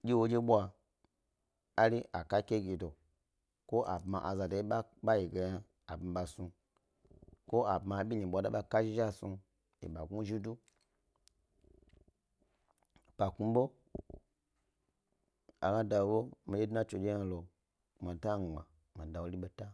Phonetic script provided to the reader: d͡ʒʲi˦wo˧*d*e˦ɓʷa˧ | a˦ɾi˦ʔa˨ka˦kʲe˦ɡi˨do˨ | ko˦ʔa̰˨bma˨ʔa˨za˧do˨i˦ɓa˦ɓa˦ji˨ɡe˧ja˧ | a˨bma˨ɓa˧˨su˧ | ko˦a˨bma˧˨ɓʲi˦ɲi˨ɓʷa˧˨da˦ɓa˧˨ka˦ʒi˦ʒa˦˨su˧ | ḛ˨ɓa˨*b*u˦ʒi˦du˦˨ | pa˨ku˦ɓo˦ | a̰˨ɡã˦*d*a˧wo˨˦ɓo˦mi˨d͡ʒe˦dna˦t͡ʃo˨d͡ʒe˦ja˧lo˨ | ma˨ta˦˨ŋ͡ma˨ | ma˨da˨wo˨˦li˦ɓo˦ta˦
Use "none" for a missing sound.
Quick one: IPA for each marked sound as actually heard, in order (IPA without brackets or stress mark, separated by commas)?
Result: d͡ʒ, ɡ, d